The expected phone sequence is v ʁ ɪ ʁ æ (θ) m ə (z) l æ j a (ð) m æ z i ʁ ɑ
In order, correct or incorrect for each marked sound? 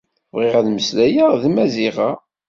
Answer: incorrect: ð, incorrect: s, correct

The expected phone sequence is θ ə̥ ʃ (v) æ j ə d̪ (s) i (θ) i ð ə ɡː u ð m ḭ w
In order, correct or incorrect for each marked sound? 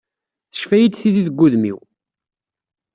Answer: incorrect: f, incorrect: θ, incorrect: ð

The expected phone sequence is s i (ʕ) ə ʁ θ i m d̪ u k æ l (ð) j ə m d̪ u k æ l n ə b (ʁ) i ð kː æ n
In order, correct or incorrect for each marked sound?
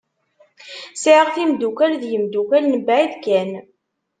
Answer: correct, correct, incorrect: ʕ

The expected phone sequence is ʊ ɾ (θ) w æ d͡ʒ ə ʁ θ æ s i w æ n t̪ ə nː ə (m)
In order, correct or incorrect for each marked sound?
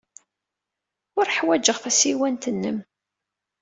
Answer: incorrect: ħ, correct

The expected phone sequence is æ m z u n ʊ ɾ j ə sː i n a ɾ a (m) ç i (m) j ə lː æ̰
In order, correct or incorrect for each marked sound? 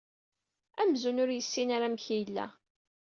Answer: correct, incorrect: none

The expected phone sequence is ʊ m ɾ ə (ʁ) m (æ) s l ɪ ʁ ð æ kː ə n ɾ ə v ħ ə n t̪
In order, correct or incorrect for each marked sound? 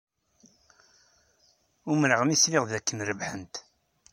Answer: correct, incorrect: i

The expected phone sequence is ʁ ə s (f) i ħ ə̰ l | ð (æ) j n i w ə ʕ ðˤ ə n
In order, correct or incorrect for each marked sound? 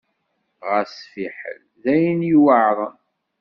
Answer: correct, correct

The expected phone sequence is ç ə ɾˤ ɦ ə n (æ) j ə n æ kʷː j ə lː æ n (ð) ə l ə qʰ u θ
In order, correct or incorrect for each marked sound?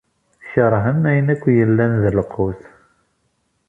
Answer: correct, correct

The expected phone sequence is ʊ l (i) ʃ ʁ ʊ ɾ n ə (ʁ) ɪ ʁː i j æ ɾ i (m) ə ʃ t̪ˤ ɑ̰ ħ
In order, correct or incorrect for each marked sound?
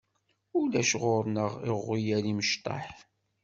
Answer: incorrect: æ, correct, correct

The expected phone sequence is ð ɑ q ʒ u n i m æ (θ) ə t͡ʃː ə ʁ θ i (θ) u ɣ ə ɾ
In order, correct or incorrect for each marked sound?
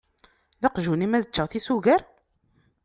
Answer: incorrect: ð, incorrect: s

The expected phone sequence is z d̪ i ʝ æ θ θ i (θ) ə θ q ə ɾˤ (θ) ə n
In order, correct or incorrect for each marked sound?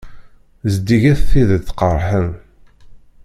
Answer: incorrect: ð, incorrect: ħ

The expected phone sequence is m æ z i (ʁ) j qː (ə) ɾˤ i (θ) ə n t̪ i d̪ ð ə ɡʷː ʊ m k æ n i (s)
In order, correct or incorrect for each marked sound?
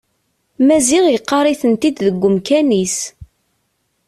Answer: correct, incorrect: ɑ, correct, correct

